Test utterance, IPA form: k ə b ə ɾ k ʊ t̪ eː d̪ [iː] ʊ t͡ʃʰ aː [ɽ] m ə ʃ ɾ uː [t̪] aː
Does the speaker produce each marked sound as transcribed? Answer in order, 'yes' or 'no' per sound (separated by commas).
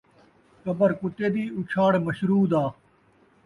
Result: yes, yes, no